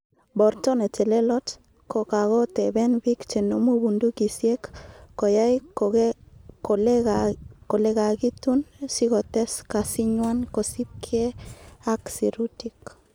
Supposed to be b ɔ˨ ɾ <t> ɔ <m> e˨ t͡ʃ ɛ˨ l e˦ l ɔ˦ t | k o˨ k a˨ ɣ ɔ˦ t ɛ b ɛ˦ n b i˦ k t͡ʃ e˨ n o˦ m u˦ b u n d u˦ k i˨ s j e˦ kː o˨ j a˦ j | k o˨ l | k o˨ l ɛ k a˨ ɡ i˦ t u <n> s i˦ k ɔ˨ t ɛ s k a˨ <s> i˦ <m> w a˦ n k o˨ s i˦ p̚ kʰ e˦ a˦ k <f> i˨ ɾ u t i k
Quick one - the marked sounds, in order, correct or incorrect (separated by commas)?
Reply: correct, incorrect, correct, correct, incorrect, incorrect